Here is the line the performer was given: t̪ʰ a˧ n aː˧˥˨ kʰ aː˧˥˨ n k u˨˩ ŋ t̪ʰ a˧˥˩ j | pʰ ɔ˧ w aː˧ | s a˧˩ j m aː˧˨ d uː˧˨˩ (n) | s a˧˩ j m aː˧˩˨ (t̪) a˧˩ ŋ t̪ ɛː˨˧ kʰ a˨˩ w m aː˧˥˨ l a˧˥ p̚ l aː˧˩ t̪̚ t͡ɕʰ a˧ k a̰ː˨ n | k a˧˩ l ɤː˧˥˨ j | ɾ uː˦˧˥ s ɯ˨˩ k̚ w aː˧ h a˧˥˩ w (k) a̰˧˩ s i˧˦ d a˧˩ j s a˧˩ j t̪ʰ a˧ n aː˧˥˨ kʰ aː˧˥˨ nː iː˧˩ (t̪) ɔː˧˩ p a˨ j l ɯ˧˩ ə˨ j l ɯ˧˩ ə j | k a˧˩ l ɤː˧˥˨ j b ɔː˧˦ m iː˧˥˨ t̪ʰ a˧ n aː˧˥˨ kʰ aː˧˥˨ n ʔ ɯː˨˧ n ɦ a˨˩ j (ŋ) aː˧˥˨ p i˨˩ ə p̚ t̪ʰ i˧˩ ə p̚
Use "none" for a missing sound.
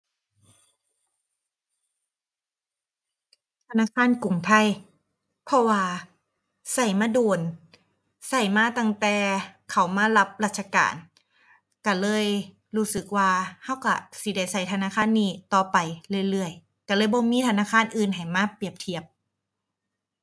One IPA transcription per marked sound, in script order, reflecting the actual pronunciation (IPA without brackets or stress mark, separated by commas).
n, t̪, k, t̪, m